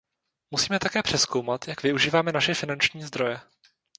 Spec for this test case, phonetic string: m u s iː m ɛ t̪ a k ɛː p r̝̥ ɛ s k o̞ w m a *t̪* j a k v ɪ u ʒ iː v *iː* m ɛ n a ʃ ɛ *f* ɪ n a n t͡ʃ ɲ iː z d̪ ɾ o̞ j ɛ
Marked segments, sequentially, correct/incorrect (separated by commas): correct, incorrect, correct